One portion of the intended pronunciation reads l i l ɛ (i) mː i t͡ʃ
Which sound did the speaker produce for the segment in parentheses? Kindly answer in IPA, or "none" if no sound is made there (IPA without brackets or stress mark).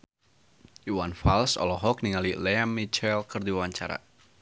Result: a